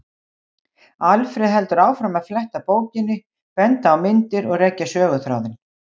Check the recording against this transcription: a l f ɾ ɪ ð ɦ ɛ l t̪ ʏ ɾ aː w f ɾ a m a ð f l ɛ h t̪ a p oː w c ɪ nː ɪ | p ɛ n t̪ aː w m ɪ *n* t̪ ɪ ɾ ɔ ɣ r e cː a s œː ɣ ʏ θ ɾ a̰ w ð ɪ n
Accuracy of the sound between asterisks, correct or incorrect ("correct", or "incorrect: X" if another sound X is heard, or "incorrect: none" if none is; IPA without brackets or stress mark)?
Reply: correct